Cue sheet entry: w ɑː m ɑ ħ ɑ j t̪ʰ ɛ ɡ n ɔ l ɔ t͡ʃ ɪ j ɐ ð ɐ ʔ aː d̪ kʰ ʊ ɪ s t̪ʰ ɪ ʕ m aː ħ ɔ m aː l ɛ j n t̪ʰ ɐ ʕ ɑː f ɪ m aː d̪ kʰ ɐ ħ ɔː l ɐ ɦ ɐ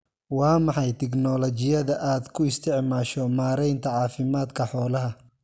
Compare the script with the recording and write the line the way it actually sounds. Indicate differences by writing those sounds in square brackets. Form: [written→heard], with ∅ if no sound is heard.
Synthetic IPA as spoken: w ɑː m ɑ ħ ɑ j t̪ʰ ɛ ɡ n ɔ l ɔ t͡ʃ ɪ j ɐ ð ɐ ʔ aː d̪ kʰ ʊ ɪ s t̪ʰ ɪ ʕ m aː [ħ→ʃ] ɔ m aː [l→ɾ] ɛ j n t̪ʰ ɐ ʕ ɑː f ɪ m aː d̪ kʰ ɐ ħ ɔː l ɐ ɦ ɐ